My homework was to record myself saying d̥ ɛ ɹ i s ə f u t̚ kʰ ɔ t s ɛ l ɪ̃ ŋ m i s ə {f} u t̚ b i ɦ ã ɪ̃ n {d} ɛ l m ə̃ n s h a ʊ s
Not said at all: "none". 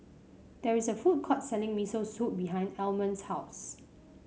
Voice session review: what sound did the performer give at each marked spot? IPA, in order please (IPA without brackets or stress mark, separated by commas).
s, d